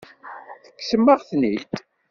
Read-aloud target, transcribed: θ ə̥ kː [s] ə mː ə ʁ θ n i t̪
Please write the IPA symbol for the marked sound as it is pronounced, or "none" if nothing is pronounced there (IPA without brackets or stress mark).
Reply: s